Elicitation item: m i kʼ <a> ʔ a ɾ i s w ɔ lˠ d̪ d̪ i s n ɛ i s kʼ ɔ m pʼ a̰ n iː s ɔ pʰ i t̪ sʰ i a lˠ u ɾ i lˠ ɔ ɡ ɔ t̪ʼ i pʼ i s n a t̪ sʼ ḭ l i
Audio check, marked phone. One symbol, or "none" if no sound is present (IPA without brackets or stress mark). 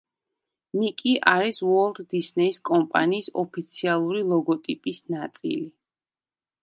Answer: i